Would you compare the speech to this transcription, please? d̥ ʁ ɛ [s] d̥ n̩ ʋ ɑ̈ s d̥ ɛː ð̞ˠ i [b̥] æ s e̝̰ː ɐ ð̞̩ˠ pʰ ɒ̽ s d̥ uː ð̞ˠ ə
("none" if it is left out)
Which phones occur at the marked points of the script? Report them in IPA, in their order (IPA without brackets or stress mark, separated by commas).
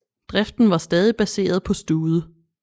f, b̥